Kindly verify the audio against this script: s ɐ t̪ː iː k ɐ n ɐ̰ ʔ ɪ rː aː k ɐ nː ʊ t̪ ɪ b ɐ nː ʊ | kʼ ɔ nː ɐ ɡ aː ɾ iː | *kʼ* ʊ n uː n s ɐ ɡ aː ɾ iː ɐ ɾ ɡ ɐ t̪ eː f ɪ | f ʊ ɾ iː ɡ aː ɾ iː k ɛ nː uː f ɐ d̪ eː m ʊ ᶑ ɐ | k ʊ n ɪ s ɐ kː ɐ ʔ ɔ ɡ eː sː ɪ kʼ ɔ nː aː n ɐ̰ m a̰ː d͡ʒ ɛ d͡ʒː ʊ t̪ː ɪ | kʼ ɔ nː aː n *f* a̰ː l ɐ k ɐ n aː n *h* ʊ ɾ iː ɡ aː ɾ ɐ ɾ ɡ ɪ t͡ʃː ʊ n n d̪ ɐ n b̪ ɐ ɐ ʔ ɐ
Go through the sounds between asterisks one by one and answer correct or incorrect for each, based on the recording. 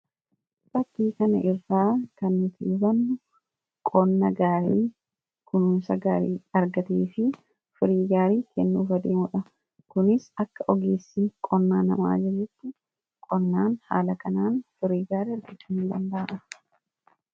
incorrect, incorrect, incorrect

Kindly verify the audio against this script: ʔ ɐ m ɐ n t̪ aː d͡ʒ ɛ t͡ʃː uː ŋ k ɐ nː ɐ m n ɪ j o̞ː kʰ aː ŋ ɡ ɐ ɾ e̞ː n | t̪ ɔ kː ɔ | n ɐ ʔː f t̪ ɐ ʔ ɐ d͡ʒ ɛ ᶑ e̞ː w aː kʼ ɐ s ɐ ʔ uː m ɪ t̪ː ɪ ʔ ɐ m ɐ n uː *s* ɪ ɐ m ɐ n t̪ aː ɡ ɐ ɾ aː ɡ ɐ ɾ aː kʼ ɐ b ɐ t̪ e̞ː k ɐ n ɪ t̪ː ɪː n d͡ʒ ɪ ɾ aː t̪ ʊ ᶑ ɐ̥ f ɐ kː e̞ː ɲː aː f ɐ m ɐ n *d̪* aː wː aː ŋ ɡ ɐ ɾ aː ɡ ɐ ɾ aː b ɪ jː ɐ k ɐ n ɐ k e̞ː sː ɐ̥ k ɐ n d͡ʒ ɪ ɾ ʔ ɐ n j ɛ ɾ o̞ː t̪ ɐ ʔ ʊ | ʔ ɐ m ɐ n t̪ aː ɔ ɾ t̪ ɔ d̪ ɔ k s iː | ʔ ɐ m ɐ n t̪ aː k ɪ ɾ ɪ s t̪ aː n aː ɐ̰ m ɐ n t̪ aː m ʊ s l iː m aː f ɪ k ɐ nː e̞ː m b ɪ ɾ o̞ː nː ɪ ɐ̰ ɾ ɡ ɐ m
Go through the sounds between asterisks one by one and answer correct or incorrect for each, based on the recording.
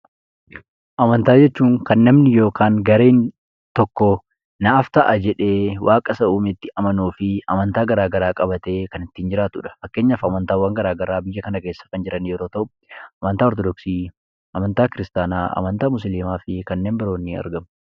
incorrect, incorrect

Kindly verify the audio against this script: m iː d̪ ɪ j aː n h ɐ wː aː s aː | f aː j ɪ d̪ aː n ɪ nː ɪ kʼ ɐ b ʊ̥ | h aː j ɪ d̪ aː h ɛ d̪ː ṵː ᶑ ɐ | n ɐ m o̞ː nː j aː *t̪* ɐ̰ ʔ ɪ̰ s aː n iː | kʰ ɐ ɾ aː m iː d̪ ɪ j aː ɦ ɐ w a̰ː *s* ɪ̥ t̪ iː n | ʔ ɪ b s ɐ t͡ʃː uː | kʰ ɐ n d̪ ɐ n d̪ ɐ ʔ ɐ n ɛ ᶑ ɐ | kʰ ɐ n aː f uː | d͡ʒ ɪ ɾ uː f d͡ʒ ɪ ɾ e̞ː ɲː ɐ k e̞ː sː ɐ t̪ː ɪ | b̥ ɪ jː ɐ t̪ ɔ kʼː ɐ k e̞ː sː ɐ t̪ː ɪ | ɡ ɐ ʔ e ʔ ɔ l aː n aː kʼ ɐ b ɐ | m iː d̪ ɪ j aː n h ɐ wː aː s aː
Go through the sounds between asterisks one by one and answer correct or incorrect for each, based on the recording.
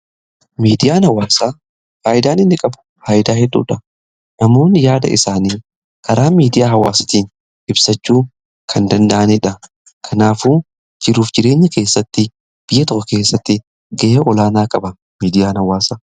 incorrect, correct

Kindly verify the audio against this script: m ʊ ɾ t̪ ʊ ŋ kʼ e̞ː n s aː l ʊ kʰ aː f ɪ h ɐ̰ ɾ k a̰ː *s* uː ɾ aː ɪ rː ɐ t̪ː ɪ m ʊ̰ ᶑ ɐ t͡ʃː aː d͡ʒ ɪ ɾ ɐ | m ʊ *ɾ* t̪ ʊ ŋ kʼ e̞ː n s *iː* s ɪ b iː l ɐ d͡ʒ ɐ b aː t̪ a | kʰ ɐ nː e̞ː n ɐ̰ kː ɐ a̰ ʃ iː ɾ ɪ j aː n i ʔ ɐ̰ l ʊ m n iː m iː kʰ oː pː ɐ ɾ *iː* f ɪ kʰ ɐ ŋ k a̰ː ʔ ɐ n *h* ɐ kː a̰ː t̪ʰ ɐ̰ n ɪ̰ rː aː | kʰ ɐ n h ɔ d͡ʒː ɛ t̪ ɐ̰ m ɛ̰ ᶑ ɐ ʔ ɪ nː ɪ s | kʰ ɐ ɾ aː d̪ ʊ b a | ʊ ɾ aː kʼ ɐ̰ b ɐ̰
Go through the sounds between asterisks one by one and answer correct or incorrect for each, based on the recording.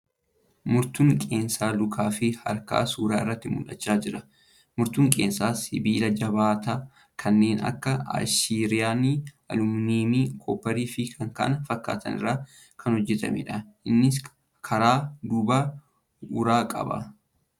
correct, correct, incorrect, correct, incorrect

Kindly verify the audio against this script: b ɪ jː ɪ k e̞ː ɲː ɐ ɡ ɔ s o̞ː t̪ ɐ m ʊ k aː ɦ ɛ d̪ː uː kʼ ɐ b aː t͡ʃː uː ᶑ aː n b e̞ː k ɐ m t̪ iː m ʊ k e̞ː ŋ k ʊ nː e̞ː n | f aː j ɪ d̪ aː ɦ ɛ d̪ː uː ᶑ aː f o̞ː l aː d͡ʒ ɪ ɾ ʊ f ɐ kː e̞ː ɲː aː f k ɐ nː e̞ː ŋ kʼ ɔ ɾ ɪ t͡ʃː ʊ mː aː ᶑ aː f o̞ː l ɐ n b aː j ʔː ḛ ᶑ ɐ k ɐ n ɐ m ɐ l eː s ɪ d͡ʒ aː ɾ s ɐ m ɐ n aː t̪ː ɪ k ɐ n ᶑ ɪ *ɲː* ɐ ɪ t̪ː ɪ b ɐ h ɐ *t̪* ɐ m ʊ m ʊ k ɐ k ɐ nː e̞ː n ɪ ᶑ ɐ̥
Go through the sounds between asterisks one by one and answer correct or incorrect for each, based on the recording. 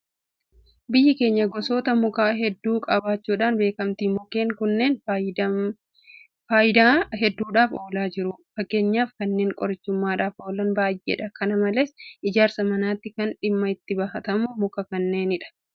incorrect, correct

